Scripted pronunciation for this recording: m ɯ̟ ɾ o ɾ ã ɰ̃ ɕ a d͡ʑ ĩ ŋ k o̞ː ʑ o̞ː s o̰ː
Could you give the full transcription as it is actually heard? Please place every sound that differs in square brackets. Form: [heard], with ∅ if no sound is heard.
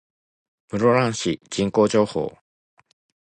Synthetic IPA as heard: m ɯ̟ ɾ o ɾ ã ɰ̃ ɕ [i] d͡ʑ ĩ ŋ k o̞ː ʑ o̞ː [h] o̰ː